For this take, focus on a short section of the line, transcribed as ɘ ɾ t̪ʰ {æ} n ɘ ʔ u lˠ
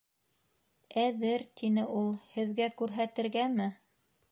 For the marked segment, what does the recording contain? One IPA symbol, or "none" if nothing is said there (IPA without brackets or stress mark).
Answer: i